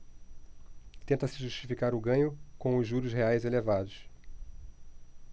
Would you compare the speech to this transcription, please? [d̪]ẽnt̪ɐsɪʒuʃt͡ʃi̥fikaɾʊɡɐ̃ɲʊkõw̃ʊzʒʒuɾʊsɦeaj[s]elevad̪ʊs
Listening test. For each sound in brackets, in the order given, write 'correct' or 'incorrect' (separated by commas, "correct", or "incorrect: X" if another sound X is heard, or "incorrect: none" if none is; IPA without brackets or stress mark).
incorrect: t̪, incorrect: z